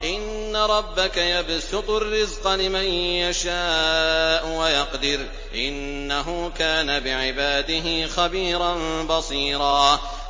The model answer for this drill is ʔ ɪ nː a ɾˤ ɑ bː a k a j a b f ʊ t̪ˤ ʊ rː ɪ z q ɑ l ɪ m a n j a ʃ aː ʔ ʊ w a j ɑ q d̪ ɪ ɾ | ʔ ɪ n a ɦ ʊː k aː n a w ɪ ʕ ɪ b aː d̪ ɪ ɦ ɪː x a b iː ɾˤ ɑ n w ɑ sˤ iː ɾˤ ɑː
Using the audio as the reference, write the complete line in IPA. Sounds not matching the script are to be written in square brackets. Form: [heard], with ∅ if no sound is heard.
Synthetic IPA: ʔ ɪ nː a ɾˤ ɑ bː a k a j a b [s] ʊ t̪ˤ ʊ rː ɪ z q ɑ l ɪ m a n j a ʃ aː ʔ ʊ w a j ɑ q d̪ ɪ ɾ | ʔ ɪ [nː] a ɦ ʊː k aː n a [b] ɪ ʕ ɪ b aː d̪ ɪ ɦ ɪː x a b iː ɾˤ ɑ n [b] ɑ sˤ iː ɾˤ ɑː